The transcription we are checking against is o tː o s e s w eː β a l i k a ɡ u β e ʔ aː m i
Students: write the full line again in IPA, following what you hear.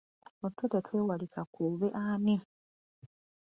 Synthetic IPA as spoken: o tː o t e t w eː w a l i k a k u β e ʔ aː n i